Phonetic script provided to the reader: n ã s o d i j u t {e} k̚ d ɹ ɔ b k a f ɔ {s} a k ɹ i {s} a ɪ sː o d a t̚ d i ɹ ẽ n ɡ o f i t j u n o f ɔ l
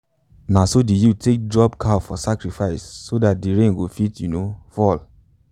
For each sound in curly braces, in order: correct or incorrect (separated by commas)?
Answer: correct, correct, incorrect